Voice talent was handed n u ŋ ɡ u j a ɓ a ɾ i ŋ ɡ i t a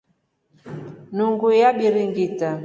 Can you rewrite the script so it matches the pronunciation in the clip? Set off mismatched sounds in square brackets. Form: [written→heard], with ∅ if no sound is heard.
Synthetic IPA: n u ŋ ɡ u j a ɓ [a→i] ɾ i ŋ ɡ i t a